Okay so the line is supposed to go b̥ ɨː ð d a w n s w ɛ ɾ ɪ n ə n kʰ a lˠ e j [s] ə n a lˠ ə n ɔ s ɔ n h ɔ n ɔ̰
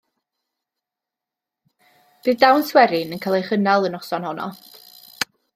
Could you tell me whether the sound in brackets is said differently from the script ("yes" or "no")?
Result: yes